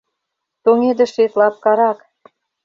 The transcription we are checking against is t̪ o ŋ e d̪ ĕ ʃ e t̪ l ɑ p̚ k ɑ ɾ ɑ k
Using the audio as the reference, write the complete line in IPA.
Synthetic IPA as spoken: t̪ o ŋ e d̪ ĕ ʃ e t̪ l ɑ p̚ k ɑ ɾ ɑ k

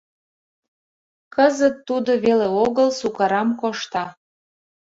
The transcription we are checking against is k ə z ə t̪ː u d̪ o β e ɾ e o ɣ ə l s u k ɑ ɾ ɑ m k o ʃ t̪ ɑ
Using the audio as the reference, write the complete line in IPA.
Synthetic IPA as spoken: k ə z ə t̪ː u d̪ o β e l e o ɣ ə l s u k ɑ ɾ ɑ m k o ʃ t̪ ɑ

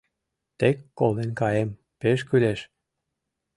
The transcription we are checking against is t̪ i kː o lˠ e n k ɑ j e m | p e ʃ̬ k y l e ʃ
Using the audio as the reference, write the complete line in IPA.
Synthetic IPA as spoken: t̪ e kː o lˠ e n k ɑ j e m | p e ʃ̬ k y l e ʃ

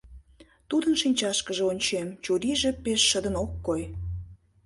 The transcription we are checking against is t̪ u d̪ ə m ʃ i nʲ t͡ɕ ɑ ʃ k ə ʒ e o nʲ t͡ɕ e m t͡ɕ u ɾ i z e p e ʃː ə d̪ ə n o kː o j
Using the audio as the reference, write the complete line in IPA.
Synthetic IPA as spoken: t̪ u d̪ ə n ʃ i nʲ t͡ɕ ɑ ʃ k ə ʒ e o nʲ t͡ɕ e m t͡ɕ u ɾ i ʒ e p e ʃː ə d̪ ə n o kː o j

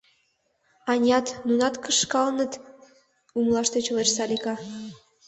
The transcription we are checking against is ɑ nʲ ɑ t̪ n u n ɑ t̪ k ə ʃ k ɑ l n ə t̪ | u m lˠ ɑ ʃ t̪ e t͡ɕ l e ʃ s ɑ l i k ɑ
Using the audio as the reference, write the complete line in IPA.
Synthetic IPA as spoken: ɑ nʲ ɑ t̪ n u n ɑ t̪ k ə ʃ k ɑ l n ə t̪ | u m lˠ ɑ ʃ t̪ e t͡ɕ l e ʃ s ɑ l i k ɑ

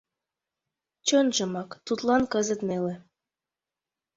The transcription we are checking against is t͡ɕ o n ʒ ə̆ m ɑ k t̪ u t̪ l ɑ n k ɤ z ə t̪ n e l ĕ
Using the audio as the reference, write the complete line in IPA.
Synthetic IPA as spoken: t͡ɕ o n ʒ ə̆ m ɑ k t̪ u t̪ l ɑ n k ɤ z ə t̪ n e l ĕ

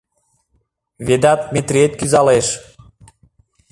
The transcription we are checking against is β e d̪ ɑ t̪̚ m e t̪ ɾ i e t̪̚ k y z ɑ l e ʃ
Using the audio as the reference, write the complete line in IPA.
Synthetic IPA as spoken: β e d̪ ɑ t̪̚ m e t̪ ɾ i e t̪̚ k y z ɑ l e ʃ

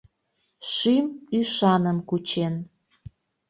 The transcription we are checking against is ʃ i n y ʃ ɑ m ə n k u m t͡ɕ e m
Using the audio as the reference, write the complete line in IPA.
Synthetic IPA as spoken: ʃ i m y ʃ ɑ n ə m k u t͡ɕ e n

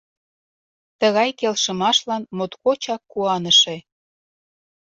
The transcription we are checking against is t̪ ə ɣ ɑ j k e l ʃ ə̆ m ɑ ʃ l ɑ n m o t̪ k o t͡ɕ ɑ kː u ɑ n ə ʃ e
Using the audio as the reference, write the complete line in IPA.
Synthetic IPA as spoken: t̪ ə ɣ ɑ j k e l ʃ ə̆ m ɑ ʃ l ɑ n m o t̪ k o t͡ɕ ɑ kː u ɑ n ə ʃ e

